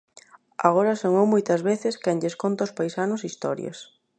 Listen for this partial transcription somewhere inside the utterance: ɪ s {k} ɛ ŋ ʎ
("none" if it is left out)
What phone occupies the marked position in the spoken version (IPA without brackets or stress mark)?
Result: k